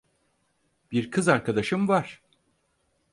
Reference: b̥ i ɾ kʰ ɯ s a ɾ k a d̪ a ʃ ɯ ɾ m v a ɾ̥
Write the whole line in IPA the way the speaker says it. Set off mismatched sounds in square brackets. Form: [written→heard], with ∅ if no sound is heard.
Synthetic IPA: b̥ i ɾ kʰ ɯ [s→z] a ɾ k a d̪ a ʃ ɯ [ɾ→∅] m v a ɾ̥